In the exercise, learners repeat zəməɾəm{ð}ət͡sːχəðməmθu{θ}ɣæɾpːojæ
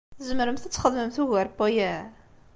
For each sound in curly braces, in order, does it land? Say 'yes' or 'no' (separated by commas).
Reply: no, no